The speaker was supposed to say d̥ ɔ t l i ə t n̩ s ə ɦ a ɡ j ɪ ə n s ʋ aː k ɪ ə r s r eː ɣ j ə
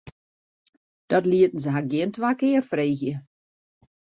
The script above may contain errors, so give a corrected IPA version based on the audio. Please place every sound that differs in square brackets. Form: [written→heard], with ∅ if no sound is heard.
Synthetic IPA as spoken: d̥ ɔ t l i ə t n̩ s ə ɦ a ɡ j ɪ ə n [s→t] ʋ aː k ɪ ə r [s→f] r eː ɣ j ə